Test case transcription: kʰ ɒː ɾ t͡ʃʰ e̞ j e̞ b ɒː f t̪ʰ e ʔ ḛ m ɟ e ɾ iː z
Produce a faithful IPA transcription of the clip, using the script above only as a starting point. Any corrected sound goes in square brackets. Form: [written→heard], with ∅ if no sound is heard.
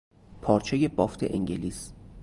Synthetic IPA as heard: [kʰ→pʰ] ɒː ɾ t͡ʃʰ e̞ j e̞ b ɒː f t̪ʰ e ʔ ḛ [m→ŋ] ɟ e [ɾ→l] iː [z→s]